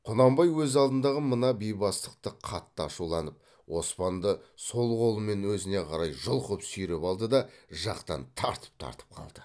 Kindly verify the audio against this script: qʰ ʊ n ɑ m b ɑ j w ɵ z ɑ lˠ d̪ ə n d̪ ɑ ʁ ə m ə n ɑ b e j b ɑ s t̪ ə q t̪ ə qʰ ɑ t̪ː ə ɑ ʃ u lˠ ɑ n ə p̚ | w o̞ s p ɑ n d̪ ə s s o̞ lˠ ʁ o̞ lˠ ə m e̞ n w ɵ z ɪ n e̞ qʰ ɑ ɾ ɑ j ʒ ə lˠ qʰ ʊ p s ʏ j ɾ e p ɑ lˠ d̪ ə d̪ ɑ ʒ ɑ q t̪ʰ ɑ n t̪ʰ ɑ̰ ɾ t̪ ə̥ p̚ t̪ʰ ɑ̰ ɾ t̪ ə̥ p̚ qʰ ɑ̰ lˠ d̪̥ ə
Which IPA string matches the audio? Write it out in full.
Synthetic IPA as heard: qʰ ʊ n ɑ m b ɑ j w ɵ z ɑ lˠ d̪ ə n d̪ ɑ ʁ ə m ə n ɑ b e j b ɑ s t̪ ə q t̪ ə qʰ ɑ t̪ː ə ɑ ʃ u lˠ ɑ n ə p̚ | w o̞ s p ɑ n d̪ ə s s o̞ lˠ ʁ o̞ lˠ ə m e̞ n w ɵ z ɪ n e̞ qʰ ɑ ɾ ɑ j ʒ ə lˠ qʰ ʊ p s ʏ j ɾ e p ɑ lˠ d̪ ə d̪ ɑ ʒ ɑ q t̪ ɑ n t̪ʰ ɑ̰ ɾ t̪ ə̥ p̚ t̪ʰ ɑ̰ ɾ t̪ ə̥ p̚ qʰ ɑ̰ lˠ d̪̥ ə